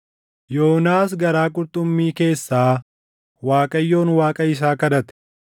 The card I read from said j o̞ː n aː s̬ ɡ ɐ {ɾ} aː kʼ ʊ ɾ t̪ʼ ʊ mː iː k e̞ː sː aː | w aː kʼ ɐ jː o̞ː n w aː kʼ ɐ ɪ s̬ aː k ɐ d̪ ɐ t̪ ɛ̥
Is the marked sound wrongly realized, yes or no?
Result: no